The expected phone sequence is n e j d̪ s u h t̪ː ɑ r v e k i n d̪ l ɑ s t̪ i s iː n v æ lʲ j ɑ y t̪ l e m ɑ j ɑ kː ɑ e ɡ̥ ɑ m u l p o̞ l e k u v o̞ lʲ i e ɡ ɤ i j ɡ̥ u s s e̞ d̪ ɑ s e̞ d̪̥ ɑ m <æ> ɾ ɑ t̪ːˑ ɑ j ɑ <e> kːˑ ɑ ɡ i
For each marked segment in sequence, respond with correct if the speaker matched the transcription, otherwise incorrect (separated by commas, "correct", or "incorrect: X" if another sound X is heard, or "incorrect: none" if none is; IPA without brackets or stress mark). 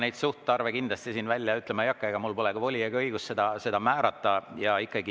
incorrect: æː, incorrect: i